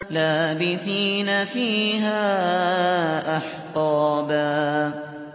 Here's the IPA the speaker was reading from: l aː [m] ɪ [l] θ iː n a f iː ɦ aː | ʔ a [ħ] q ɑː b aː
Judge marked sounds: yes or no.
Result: no, no, yes

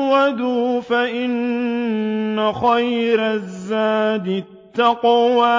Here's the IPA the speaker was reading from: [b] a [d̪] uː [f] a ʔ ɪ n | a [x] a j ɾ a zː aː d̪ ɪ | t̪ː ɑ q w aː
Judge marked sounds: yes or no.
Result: no, yes, yes, yes

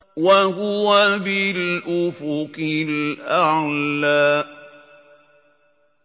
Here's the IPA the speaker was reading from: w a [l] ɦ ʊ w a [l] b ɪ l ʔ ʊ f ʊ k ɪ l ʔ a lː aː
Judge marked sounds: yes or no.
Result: no, no

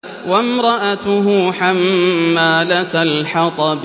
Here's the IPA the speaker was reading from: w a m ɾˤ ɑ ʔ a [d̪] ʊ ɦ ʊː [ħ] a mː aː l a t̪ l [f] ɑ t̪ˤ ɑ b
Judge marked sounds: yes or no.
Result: no, yes, no

